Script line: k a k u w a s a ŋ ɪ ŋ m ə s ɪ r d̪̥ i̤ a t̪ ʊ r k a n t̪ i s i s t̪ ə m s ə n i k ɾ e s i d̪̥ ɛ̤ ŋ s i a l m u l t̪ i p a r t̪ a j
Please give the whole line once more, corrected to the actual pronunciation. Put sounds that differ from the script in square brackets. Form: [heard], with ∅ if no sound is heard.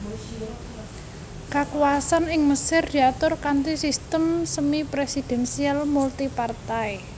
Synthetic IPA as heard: k a k u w a s a [n] ɪ ŋ m ə s ɪ r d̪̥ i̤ a t̪ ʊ r k a n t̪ i s i s t̪ ə m s ə [m] i [p] ɾ e s i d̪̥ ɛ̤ [n] s i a l m u l t̪ i p a r t̪ a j

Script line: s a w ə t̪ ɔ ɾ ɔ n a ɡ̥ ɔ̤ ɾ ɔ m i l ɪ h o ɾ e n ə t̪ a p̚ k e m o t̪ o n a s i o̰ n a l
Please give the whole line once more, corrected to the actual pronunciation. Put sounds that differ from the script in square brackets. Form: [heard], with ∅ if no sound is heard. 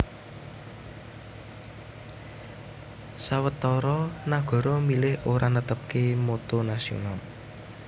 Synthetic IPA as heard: s a w ə t̪ ɔ ɾ ɔ n a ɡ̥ ɔ̤ ɾ ɔ m i l ɪ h o ɾ [a] n ə t̪ [ə] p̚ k e m o t̪ o n a s i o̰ n a l

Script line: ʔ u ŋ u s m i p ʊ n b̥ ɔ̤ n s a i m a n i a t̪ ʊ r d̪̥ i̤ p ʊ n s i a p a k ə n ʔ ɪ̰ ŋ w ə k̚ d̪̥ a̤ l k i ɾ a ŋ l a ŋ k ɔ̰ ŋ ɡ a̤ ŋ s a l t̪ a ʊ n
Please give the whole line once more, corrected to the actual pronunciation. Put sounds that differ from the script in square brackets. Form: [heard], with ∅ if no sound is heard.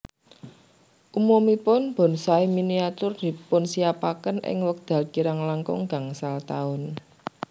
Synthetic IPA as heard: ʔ u [m] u [∅] m i p ʊ n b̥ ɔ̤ n s a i m [i] n i a t̪ ʊ r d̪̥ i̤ p ʊ n s i a p a k ə n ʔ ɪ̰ ŋ w ə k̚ d̪̥ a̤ l k i ɾ a ŋ l a ŋ k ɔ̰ ŋ ɡ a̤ ŋ s a l t̪ a ʊ n

